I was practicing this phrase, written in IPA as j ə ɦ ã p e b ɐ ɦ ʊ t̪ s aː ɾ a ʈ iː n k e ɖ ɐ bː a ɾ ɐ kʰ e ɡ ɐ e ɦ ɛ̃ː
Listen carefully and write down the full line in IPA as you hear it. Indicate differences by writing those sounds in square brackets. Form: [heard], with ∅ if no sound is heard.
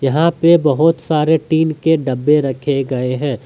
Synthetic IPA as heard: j [ɐ] ɦ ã p e b ɐ ɦ ʊ t̪ s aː ɾ [e] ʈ iː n k e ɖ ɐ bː [e] ɾ ɐ kʰ e ɡ ɐ e ɦ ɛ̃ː